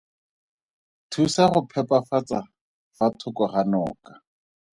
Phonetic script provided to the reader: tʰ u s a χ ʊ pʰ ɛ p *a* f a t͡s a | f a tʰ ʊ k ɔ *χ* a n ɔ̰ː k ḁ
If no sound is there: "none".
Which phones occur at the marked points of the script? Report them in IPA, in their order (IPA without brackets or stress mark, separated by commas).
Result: a, χ